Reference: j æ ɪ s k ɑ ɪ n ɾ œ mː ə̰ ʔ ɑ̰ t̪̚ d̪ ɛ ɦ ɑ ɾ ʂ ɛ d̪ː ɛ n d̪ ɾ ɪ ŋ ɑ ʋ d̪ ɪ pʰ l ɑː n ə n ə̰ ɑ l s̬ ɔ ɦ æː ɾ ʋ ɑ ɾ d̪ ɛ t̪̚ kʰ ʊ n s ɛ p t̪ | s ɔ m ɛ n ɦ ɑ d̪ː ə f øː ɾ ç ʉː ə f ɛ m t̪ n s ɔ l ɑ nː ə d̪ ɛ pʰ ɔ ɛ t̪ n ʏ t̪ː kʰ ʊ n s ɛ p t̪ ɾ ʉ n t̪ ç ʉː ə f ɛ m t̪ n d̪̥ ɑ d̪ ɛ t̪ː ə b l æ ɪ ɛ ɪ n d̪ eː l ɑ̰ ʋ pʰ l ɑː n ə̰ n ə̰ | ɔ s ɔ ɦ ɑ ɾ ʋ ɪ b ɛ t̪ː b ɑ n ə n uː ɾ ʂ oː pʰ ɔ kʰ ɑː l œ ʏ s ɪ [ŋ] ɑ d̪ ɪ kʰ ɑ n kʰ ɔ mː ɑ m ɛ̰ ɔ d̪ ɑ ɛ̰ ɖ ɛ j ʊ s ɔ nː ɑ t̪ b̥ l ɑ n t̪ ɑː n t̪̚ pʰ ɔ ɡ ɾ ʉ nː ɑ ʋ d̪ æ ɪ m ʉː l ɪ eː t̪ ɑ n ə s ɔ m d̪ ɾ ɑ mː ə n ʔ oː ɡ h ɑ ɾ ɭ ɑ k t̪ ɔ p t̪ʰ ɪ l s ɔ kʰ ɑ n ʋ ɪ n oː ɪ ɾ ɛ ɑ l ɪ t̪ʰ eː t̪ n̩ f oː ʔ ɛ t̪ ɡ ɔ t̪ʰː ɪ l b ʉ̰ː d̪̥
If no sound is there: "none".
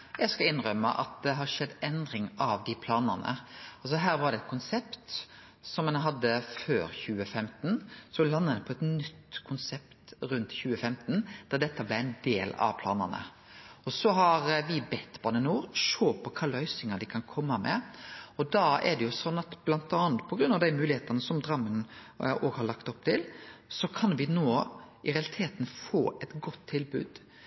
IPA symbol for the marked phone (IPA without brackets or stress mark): ŋ